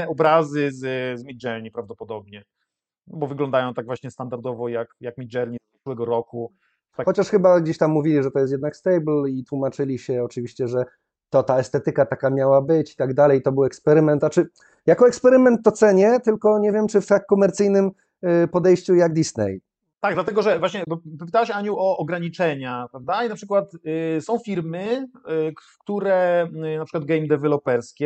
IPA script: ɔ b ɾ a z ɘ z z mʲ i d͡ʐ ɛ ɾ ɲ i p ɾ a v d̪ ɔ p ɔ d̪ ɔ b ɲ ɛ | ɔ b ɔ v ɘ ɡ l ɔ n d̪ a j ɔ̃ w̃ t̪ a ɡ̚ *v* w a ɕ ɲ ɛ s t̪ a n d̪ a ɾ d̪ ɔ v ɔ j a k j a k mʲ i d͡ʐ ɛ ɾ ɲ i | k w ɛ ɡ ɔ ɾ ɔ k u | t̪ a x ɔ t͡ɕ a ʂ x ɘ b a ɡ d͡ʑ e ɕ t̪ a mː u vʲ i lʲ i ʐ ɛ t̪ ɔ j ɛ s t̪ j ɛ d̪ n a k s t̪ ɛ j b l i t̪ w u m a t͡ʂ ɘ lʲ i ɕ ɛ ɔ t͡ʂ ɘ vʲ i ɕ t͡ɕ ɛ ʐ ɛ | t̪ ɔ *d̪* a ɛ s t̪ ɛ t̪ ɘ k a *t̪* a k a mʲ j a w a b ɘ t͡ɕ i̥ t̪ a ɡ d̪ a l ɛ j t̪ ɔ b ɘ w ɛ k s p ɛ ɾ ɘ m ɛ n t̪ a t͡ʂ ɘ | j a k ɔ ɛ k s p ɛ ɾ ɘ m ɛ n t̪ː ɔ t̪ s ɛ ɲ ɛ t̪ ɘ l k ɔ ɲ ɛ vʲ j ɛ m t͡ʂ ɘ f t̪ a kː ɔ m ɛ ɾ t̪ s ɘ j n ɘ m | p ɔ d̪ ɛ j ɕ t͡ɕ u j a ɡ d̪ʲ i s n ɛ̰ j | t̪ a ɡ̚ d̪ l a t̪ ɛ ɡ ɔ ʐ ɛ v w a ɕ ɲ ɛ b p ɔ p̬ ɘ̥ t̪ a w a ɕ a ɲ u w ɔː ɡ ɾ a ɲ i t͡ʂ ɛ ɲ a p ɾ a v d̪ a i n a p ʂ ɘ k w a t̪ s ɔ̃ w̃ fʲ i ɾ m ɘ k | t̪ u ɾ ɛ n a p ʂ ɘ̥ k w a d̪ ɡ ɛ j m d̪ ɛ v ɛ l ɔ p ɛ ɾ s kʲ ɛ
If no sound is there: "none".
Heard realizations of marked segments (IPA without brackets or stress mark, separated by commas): v, t̪, t̪